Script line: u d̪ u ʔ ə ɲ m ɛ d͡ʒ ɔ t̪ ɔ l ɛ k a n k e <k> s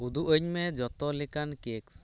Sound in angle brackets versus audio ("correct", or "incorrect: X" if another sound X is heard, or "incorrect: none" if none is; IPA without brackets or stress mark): correct